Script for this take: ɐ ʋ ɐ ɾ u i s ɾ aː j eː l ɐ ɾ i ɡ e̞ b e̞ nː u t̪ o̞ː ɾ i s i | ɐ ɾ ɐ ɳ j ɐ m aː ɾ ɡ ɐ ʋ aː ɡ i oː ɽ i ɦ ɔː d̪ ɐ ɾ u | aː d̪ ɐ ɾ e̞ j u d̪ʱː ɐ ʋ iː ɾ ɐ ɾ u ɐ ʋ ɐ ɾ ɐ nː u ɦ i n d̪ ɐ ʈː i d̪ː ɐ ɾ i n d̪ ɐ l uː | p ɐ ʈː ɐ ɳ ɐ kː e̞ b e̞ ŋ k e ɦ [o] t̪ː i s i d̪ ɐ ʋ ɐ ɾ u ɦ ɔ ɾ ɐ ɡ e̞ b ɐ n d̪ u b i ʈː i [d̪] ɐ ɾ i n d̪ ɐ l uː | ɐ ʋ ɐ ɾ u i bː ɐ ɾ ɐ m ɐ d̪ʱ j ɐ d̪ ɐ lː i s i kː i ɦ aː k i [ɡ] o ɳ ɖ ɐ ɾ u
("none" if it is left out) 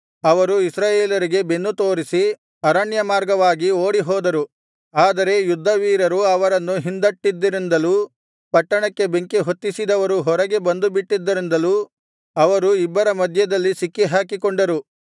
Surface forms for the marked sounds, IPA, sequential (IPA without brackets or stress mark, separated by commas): o, d̪ː, k